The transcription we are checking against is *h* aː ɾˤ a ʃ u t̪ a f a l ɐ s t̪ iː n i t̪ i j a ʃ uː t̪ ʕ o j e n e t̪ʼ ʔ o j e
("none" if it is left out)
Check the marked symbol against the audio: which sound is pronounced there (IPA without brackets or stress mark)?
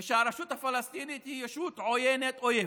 ʃ